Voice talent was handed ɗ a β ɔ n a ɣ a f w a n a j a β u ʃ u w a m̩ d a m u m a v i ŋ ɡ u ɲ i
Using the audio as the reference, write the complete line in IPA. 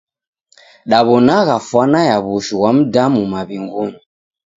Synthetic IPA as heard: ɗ a β ɔ n a ɣ a f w a n a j a β u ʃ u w a m̩ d a m u m a β i ŋ ɡ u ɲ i